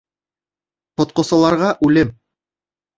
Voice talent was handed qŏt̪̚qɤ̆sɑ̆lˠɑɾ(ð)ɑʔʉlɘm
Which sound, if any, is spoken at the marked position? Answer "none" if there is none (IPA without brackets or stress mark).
ʁ